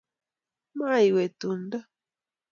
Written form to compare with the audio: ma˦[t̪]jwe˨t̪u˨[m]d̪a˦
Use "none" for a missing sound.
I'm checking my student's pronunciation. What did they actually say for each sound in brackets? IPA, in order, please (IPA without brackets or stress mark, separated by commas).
none, n